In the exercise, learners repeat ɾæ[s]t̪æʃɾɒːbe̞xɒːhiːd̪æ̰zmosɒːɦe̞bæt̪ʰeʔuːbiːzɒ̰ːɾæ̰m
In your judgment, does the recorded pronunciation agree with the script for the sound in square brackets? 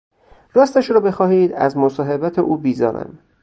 yes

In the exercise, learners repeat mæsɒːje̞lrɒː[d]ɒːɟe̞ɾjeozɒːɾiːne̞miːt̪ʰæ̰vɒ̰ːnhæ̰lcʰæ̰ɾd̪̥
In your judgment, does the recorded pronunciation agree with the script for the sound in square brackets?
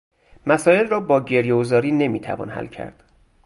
no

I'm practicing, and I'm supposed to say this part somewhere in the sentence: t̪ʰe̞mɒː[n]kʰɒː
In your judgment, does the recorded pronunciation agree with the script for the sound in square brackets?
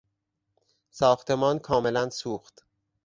yes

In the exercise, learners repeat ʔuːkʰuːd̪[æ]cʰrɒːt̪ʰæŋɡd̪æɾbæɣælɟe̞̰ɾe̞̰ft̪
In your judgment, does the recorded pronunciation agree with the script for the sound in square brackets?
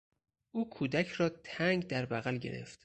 yes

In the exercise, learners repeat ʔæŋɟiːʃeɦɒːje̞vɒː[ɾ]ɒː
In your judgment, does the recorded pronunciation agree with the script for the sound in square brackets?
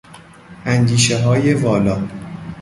no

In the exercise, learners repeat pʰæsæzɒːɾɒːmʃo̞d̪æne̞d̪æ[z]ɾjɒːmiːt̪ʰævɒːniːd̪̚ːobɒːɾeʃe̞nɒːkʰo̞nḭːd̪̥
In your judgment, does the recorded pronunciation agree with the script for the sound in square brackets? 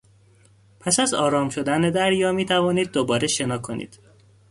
no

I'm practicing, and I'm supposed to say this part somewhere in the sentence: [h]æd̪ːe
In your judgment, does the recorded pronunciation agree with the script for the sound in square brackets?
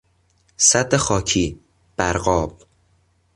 no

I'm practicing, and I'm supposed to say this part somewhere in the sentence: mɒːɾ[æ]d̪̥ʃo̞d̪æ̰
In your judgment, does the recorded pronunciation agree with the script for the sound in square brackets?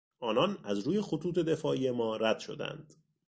yes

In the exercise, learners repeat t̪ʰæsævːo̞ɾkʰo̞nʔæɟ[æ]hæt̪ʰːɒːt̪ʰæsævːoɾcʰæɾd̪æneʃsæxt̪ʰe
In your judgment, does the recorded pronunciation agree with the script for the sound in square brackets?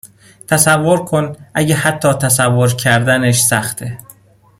no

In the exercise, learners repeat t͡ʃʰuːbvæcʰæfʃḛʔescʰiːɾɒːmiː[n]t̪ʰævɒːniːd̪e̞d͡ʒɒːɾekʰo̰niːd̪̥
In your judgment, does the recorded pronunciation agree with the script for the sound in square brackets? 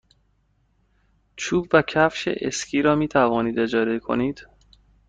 no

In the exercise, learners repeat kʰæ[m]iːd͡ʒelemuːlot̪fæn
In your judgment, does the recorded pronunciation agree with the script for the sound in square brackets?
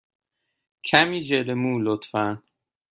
yes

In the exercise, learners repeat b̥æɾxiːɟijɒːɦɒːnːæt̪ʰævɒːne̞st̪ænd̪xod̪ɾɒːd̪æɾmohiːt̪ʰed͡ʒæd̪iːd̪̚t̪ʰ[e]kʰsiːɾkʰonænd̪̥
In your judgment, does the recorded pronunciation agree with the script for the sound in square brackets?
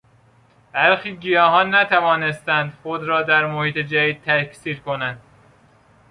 no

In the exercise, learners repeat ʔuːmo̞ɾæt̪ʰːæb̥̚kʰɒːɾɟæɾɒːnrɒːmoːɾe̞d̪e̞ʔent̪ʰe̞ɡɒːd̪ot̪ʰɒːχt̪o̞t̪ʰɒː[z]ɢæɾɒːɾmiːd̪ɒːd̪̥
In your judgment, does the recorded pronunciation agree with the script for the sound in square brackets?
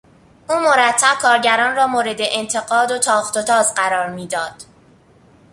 yes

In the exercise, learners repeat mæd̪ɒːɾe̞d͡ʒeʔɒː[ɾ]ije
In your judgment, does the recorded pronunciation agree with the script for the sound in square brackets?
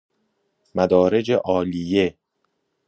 no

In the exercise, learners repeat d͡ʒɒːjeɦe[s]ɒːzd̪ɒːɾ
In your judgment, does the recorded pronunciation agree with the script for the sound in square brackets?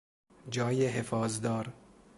no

